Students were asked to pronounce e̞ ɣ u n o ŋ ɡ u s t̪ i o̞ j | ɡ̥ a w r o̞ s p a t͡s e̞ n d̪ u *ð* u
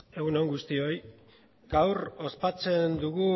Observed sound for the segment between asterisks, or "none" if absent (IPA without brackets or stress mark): ɣ